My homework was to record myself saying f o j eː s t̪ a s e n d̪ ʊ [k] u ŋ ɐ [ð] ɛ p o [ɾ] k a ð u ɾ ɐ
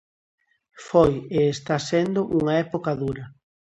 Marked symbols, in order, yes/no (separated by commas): no, no, no